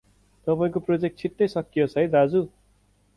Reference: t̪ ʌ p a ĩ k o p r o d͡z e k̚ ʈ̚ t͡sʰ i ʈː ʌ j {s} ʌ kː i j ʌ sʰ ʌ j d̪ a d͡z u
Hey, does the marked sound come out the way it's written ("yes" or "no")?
yes